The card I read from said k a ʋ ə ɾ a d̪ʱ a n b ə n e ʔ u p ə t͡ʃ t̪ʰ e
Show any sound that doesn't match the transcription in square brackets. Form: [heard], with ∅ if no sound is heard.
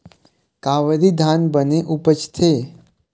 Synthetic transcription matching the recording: k a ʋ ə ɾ [i] d̪ʱ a n b ə n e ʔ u p ə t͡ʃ t̪ʰ e